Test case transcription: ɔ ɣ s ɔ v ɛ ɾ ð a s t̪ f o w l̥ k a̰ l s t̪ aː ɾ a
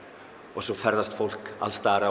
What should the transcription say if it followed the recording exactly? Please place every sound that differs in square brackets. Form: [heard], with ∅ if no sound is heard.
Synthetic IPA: ɔ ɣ s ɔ [f] ɛ ɾ ð a s t̪ f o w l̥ k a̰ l s t̪ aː ɾ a